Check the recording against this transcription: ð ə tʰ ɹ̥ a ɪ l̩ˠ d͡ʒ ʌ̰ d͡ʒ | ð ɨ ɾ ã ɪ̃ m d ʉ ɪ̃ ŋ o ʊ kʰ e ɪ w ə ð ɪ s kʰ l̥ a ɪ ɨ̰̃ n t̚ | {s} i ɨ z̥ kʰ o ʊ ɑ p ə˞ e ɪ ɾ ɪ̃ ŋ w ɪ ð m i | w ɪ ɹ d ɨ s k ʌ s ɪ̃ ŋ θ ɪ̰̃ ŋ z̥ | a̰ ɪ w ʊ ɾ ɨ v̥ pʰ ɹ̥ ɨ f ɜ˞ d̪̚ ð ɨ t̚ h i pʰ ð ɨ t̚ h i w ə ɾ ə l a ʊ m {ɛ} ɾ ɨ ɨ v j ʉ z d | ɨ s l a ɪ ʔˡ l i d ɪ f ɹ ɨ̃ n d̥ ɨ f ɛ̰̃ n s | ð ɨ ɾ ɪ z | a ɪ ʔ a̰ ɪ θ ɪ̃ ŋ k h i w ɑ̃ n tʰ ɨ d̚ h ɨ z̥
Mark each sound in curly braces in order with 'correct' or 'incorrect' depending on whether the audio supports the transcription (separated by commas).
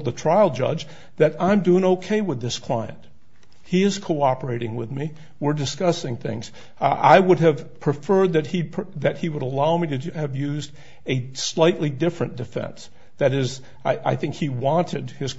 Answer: incorrect, incorrect